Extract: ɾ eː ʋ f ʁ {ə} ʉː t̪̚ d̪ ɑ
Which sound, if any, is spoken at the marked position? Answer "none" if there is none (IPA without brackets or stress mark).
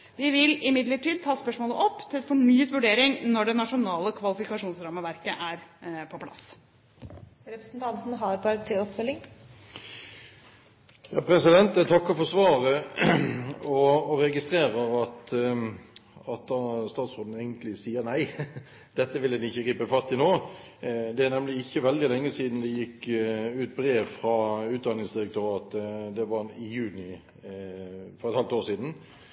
ɑ